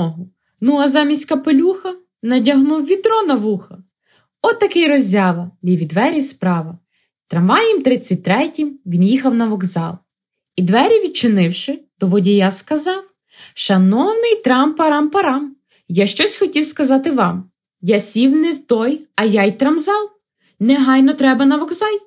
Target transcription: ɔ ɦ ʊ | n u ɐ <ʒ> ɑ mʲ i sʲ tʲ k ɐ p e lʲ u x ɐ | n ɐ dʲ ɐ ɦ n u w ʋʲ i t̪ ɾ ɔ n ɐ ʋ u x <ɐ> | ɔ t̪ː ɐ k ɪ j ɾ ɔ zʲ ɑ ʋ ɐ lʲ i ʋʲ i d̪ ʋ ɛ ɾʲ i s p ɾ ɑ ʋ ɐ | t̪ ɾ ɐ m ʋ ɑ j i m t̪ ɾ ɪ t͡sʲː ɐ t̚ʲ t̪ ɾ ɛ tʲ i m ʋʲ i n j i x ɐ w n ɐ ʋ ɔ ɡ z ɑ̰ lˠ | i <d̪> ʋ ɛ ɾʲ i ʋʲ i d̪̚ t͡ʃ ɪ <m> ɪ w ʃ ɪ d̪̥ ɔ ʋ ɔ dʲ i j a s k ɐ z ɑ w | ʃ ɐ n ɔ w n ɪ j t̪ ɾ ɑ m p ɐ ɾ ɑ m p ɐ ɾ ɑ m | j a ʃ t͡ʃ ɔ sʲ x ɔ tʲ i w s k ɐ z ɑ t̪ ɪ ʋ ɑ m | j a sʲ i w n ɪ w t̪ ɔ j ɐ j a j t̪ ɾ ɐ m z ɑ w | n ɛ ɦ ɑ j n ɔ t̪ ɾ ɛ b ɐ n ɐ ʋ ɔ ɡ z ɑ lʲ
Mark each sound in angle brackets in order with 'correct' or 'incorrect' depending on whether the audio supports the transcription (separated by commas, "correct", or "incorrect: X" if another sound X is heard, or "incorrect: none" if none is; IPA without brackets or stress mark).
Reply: incorrect: z, correct, correct, incorrect: n